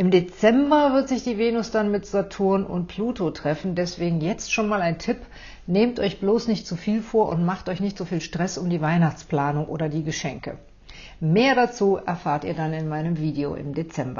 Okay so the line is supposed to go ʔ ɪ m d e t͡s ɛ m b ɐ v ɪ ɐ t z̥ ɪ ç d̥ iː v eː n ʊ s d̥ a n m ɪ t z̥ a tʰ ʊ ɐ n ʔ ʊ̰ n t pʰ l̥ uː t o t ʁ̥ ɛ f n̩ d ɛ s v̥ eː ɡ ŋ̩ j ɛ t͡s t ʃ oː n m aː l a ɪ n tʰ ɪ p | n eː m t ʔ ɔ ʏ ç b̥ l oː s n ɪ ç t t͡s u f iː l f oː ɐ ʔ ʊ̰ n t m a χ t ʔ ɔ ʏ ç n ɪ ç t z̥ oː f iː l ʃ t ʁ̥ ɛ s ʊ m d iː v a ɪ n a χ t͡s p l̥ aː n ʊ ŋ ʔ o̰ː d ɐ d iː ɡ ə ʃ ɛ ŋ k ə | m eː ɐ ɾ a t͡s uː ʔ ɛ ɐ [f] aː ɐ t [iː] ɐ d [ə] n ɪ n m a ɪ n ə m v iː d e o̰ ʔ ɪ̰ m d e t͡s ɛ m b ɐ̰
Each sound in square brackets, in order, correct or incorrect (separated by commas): correct, correct, incorrect